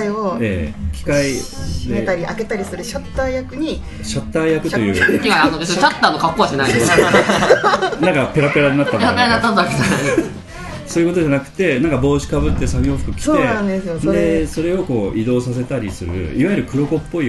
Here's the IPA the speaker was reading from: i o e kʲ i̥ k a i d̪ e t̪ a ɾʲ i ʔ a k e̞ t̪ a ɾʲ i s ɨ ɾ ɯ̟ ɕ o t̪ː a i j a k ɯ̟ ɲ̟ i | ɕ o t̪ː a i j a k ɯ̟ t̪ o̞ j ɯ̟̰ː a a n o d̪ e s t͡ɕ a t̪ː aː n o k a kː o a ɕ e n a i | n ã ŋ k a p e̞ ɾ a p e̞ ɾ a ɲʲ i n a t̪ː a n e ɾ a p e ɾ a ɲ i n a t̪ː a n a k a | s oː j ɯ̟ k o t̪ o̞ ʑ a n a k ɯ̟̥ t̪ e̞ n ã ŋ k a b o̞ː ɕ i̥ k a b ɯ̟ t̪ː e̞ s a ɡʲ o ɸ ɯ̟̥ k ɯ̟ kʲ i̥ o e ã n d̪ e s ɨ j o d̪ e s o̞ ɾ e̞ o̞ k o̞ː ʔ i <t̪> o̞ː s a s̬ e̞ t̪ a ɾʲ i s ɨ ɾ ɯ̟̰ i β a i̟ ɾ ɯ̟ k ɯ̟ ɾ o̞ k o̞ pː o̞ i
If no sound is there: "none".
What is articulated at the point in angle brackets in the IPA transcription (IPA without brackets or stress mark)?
d̪